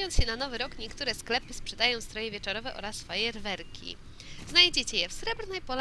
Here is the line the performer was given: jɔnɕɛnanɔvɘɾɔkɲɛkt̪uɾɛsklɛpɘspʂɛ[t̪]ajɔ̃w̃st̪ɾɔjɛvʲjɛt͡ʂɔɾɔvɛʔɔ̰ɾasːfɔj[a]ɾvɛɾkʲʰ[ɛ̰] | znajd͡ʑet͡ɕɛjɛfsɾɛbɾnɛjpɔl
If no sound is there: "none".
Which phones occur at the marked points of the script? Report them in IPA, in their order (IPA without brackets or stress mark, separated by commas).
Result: d̪, ɛ, ḭ